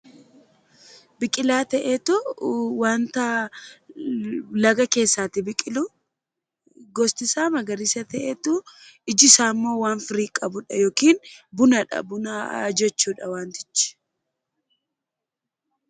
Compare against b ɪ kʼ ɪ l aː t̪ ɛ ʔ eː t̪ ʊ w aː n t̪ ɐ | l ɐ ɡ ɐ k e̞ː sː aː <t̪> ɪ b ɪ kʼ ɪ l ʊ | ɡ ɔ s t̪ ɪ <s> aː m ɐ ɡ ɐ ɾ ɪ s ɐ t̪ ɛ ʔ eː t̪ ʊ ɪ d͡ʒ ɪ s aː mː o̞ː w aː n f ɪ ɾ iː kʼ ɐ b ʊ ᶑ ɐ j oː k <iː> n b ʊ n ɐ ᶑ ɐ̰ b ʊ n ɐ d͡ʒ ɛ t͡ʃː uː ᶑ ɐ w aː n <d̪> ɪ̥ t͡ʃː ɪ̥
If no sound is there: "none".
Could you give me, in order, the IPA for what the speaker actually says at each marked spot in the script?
t̪, s, iː, t̪

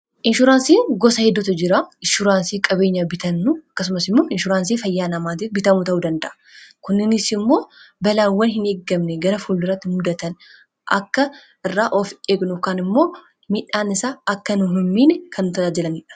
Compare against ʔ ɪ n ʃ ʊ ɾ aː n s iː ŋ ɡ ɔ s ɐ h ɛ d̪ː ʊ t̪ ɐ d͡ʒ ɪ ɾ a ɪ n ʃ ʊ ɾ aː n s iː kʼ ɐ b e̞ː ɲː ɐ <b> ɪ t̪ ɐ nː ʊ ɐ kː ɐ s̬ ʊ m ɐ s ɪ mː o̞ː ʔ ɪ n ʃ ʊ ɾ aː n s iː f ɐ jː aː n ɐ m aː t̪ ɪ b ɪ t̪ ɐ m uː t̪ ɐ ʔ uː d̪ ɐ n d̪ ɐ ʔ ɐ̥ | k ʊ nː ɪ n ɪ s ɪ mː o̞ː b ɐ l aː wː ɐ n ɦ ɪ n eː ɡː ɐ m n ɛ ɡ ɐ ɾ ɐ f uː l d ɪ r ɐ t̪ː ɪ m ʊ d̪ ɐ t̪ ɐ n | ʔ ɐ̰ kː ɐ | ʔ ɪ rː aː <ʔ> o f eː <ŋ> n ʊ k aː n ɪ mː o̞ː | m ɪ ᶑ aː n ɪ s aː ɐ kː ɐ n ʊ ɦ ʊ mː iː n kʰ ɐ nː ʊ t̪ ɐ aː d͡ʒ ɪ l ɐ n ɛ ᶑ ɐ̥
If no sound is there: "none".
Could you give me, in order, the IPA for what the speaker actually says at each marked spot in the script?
b, ʔ, ɡ

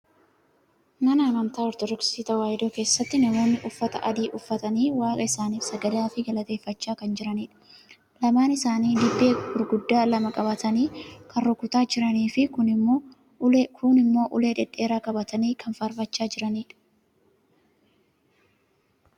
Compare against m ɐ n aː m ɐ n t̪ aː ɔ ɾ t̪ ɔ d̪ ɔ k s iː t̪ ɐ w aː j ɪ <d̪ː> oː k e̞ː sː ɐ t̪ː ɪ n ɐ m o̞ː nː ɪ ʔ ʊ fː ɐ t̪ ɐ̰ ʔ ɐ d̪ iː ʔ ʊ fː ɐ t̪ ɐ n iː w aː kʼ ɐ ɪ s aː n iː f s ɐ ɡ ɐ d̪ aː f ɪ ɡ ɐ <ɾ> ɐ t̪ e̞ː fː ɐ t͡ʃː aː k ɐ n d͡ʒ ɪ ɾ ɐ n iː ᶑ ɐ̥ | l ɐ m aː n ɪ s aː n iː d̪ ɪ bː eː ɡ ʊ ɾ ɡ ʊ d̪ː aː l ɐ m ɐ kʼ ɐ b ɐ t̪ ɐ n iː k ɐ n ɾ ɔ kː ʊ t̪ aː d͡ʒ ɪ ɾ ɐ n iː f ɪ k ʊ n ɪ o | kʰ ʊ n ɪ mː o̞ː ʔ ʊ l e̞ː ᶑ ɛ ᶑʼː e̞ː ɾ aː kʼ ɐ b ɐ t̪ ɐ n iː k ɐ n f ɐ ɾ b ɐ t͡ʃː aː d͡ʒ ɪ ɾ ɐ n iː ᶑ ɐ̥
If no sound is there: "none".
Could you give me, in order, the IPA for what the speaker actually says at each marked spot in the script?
d̪, l

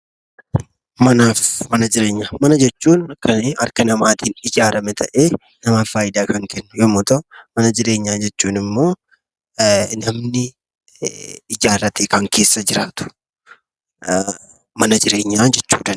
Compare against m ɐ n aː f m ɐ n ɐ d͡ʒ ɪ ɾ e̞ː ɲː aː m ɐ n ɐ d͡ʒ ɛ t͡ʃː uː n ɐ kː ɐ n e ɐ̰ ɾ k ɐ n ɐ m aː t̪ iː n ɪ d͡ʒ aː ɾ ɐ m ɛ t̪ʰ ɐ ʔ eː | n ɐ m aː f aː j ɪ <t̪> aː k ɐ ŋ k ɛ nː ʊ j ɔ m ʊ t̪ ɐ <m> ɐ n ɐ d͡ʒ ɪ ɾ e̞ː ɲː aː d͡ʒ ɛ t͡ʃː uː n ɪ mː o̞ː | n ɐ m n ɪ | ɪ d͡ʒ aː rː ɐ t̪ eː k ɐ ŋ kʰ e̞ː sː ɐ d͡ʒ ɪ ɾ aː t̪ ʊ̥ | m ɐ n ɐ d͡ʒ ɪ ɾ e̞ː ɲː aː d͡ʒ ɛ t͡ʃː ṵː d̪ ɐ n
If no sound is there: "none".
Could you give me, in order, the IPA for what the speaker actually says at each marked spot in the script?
d̪, m

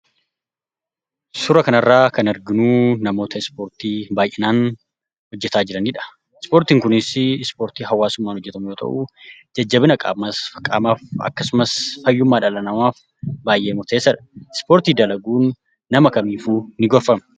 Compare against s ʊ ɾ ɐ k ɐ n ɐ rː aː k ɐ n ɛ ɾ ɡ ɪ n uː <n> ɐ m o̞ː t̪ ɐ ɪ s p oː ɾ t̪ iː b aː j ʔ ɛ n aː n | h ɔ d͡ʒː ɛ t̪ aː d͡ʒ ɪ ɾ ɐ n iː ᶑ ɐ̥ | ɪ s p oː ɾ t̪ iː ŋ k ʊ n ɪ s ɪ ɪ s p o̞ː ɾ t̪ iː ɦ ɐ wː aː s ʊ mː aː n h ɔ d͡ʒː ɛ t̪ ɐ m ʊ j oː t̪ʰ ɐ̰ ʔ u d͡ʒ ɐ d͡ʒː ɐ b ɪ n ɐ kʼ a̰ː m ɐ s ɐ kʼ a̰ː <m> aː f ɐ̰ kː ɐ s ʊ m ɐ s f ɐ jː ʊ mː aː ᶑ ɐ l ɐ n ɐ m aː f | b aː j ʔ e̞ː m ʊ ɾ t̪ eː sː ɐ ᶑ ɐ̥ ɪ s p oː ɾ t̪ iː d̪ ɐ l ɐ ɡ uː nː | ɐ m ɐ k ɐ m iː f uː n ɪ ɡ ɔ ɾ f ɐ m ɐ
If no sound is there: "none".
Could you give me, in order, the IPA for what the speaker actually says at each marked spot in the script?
n, m

